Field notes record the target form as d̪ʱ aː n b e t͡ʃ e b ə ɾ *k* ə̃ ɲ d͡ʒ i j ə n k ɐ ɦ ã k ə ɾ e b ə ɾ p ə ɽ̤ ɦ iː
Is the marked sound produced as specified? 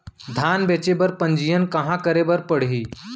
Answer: no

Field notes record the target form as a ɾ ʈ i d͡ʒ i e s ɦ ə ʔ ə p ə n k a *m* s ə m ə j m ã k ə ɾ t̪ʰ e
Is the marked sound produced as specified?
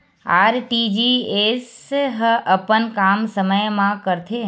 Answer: yes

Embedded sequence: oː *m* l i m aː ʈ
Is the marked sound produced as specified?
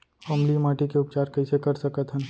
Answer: yes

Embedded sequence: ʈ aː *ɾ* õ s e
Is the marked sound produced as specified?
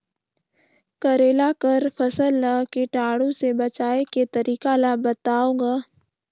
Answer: no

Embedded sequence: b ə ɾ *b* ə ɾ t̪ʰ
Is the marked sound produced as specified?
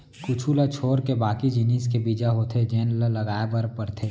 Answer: no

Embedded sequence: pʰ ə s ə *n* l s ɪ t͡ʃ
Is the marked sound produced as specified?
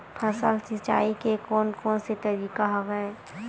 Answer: no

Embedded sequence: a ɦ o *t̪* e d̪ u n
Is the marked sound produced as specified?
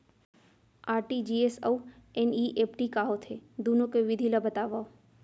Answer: no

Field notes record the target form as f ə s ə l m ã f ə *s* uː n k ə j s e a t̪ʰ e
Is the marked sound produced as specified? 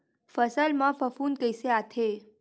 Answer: no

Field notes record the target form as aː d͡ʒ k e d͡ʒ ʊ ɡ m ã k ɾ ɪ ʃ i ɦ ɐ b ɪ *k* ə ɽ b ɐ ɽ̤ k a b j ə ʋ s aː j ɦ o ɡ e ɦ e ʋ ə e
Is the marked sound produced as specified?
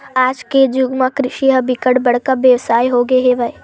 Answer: yes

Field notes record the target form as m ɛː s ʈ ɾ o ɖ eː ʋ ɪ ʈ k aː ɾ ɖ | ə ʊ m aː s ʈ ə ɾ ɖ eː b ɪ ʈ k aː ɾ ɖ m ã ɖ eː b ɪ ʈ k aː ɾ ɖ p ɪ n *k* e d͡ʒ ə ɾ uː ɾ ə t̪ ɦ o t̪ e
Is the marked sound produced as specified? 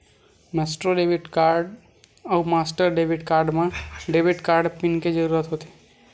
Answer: yes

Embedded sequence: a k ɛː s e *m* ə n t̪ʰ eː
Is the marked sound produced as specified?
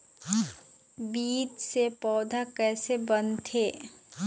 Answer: no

